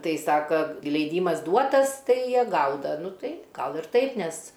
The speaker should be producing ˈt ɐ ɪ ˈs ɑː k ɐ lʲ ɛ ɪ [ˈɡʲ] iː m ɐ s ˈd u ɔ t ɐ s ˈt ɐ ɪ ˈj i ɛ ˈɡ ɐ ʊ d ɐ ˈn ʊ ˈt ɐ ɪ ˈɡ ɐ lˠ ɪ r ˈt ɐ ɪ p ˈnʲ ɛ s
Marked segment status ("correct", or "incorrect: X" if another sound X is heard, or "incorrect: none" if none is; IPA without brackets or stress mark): incorrect: dʲ